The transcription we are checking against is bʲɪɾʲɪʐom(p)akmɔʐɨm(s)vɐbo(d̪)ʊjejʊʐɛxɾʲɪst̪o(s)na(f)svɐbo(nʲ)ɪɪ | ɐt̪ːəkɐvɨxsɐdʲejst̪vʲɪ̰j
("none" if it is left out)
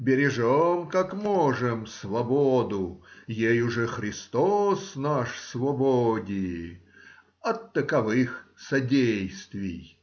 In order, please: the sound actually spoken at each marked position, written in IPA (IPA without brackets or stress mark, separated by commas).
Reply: k, s, d̪, s, ʂ, dʲ